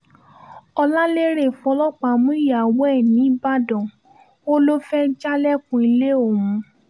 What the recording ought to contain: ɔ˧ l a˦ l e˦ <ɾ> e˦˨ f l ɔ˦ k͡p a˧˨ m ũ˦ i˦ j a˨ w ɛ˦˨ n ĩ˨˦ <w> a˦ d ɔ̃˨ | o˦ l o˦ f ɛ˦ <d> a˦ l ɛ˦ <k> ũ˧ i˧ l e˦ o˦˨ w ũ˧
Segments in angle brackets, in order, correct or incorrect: correct, incorrect, incorrect, correct

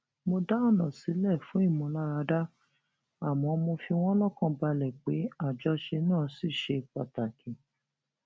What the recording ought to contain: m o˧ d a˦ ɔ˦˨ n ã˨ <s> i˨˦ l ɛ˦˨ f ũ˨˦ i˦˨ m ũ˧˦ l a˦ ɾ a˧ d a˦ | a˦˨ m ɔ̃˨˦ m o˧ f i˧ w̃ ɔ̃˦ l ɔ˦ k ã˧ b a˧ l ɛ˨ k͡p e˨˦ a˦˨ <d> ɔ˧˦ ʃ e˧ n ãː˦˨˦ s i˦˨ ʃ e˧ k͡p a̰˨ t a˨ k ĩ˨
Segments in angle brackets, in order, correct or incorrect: correct, incorrect

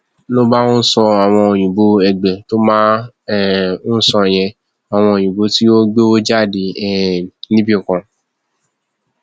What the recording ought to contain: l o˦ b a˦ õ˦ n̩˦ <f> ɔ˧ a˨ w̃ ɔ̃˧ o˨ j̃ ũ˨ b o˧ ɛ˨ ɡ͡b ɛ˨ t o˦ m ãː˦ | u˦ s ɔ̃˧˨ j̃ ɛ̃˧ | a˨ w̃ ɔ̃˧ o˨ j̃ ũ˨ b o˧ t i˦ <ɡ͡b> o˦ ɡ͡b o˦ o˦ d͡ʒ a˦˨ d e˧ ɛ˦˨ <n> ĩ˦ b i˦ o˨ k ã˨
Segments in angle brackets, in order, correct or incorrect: incorrect, incorrect, correct

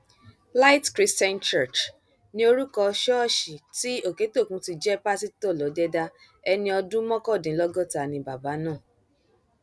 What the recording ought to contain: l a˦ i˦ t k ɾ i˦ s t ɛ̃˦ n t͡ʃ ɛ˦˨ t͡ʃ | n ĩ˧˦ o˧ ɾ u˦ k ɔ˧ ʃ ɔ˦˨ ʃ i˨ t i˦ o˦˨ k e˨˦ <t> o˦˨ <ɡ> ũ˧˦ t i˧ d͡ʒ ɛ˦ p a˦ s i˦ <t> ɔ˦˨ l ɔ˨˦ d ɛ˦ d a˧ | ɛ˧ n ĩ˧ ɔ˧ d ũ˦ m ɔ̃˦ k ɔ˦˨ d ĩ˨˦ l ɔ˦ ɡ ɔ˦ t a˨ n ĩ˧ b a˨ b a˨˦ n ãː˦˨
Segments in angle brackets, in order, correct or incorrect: correct, incorrect, correct

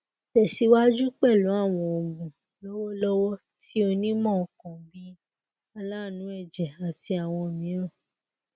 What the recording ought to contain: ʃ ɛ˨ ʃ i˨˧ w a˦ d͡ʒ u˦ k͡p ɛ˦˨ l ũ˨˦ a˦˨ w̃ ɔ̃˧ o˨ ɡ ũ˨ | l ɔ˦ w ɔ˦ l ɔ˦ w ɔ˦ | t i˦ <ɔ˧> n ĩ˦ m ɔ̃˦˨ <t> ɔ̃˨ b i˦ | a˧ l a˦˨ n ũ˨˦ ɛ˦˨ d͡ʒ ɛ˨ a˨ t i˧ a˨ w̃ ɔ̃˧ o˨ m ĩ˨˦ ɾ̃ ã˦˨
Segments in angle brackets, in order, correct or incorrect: incorrect, incorrect

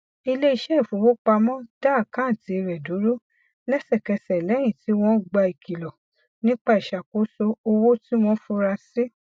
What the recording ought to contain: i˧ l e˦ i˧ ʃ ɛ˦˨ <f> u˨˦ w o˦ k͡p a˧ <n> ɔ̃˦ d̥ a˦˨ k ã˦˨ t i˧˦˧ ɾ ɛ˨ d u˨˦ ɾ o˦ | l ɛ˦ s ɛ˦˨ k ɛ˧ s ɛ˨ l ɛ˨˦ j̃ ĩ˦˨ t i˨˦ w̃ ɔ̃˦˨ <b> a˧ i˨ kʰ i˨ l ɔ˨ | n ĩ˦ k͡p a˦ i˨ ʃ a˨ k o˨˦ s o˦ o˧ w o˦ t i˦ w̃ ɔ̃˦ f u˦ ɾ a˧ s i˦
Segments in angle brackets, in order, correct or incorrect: correct, incorrect, incorrect

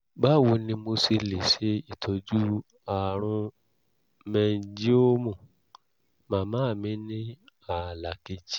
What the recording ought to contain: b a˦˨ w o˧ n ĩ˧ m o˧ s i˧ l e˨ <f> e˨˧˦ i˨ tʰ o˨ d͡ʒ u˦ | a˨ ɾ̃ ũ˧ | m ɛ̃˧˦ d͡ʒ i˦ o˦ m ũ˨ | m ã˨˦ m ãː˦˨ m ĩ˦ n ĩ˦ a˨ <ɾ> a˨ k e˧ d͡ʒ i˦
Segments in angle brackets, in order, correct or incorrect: incorrect, incorrect

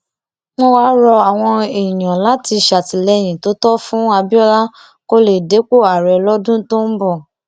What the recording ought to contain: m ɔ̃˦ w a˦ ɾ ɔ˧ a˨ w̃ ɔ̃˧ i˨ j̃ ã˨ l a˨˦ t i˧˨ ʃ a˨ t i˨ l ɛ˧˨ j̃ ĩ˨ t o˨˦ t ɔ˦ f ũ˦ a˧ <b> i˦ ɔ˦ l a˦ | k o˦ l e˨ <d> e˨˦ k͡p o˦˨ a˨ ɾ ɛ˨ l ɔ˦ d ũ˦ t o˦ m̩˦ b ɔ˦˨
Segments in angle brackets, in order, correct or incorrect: correct, correct

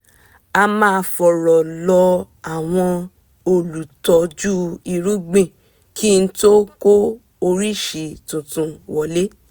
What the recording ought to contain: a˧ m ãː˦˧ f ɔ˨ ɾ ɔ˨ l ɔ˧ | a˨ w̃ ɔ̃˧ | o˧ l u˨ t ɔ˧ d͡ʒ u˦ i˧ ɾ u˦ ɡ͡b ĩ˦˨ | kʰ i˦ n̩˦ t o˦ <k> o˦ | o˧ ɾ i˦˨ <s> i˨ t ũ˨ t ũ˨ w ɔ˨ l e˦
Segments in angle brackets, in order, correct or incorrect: correct, incorrect

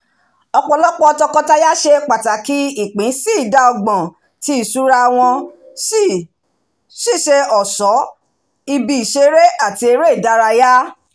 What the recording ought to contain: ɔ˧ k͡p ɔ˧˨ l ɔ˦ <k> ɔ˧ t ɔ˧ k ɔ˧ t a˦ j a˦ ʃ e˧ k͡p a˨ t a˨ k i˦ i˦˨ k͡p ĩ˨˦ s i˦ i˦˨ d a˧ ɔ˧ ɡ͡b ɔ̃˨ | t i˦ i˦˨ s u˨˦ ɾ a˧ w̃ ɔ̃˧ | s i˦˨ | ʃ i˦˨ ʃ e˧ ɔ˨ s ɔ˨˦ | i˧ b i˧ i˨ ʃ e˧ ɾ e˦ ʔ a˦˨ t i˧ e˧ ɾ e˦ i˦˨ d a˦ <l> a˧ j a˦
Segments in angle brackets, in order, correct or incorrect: incorrect, incorrect

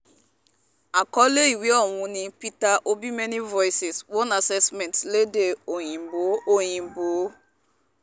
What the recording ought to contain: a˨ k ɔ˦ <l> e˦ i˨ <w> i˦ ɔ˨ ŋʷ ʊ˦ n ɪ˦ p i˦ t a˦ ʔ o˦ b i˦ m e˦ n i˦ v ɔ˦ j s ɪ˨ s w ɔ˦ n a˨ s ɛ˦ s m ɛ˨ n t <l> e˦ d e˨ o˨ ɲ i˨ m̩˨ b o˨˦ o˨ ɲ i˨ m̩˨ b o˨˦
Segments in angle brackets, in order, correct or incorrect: correct, correct, correct

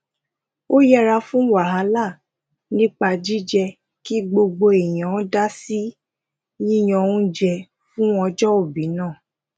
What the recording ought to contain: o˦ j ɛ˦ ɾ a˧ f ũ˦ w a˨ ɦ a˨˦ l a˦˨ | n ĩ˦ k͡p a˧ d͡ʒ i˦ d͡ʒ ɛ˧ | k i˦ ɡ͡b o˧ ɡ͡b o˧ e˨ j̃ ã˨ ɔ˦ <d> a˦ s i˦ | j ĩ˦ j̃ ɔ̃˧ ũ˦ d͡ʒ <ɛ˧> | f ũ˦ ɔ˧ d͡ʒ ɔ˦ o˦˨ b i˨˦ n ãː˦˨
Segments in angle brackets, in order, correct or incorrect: correct, correct

